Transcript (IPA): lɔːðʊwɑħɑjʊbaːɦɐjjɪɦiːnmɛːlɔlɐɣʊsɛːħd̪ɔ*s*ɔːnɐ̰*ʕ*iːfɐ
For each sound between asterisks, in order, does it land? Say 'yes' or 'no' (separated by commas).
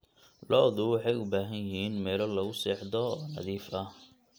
no, no